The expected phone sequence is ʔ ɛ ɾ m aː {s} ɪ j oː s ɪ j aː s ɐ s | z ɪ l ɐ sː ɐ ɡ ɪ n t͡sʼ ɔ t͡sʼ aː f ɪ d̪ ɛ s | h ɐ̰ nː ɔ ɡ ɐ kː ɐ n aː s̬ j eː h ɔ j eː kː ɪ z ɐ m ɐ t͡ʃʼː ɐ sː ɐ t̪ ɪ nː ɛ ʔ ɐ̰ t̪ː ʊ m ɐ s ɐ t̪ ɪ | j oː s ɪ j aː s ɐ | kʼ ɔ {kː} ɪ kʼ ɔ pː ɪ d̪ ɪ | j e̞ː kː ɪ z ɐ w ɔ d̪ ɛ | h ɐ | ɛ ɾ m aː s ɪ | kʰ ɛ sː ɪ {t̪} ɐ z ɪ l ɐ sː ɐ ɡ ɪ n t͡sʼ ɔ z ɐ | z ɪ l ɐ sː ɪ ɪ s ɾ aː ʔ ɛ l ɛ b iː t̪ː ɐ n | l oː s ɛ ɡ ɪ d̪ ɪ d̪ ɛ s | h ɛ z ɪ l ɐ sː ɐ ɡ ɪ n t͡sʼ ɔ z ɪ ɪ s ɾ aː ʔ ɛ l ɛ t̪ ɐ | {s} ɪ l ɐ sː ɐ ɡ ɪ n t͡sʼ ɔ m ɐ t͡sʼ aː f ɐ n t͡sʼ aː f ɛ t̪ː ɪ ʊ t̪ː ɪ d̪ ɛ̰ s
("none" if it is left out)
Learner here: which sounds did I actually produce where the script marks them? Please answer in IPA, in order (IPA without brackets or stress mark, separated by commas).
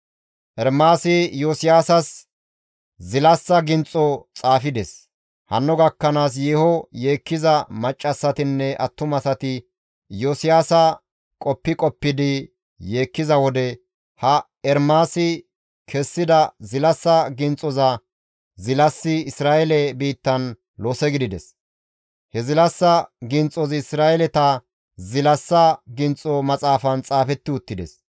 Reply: s, pː, d̪, z